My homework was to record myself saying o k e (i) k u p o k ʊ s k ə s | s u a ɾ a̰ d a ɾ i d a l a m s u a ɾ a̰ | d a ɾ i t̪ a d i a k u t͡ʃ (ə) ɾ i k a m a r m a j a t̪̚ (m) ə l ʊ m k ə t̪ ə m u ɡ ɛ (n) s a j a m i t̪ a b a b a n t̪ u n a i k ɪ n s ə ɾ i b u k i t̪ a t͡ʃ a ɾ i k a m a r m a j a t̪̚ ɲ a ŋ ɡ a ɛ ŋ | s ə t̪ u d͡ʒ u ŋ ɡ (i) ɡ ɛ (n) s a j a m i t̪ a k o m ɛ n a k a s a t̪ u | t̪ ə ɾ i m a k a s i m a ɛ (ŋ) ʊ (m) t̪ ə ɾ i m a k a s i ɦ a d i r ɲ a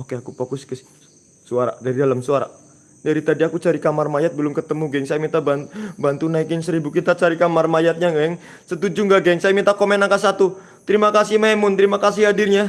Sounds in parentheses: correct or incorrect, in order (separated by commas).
incorrect, incorrect, incorrect, incorrect, incorrect, incorrect, incorrect, incorrect